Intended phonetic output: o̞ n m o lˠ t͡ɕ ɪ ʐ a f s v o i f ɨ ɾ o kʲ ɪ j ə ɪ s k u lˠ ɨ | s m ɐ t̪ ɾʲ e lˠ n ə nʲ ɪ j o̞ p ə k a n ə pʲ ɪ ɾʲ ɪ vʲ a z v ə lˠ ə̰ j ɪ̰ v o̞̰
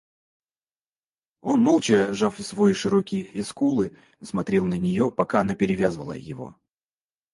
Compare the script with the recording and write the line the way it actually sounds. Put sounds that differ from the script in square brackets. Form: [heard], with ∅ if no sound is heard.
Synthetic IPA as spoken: o̞ n m o lˠ t͡ɕ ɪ ʐ a f s v o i [ʂ] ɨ ɾ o kʲ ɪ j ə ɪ s k u lˠ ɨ | s m ɐ t̪ ɾʲ e lˠ n ə nʲ ɪ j o̞ p [ɐ] k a n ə pʲ ɪ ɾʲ ɪ vʲ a z v ə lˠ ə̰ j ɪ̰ v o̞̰